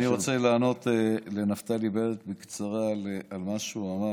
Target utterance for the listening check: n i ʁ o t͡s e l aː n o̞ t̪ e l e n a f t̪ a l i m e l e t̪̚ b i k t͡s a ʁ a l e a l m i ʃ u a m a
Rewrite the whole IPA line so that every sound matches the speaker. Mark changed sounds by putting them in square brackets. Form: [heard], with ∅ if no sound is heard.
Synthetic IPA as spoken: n i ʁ o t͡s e l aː n o̞ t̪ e l e n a f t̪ a l i [b] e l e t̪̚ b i k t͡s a ʁ a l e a l m [a] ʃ u a m a